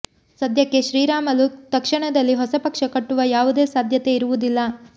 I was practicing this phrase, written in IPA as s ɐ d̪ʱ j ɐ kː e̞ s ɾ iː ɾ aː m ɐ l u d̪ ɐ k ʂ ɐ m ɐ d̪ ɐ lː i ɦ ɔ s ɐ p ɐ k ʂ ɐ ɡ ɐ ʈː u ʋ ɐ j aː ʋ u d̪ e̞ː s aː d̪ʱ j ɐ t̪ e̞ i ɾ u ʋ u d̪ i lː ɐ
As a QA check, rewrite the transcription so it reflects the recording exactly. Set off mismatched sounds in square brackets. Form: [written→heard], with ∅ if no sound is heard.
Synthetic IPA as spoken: s ɐ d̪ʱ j ɐ kː e̞ [s→ʃ] ɾ iː ɾ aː m ɐ l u [d̪→t̪] ɐ k ʂ ɐ [m→ɳ] ɐ d̪ ɐ lː i ɦ ɔ s ɐ p ɐ k ʂ ɐ [ɡ→k] ɐ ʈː u ʋ ɐ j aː ʋ u d̪ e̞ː s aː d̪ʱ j ɐ t̪ e̞ i ɾ u ʋ u d̪ i lː ɐ